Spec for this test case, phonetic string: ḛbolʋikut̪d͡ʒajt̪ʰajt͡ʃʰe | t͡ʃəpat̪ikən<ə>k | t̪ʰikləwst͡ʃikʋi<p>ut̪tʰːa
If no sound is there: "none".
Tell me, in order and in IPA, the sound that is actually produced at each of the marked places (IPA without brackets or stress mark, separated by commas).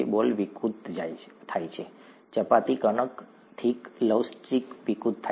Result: ə, k